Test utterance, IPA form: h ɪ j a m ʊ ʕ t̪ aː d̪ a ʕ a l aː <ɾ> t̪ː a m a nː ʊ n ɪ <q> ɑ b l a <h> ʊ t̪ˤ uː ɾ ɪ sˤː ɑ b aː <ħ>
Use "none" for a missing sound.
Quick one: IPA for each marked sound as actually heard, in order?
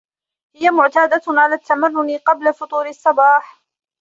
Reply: none, q, f, ħ

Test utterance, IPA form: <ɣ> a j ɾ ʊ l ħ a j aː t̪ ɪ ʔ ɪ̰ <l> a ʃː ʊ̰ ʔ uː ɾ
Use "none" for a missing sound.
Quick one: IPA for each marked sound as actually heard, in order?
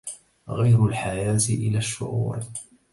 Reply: ɣ, l

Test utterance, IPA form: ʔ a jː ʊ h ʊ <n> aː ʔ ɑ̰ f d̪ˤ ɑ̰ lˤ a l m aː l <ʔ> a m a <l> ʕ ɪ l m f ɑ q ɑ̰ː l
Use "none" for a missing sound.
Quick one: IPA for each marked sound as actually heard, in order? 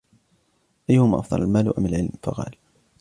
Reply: m, ʔ, l

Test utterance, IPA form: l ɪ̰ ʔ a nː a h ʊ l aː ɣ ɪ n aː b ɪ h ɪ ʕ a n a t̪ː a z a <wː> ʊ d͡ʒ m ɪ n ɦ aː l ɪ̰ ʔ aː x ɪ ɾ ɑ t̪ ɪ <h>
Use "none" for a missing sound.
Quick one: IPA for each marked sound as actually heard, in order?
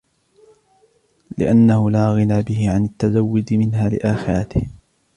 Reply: wː, h

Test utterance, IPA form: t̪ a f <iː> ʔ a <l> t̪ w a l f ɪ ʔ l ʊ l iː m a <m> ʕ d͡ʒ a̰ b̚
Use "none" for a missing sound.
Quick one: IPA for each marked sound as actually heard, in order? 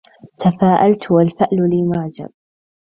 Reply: aː, l, none

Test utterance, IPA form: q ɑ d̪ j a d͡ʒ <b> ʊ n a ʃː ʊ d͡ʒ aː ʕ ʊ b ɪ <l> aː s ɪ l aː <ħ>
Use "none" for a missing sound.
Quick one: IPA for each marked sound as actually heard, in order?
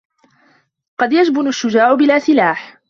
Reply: b, l, ħ

